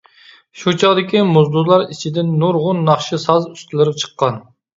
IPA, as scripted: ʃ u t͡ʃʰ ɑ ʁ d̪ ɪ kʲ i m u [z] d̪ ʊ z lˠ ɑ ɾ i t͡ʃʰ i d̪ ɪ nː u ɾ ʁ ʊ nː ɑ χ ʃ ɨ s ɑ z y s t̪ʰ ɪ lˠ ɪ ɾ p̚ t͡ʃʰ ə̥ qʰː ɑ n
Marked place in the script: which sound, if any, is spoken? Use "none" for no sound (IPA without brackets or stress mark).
z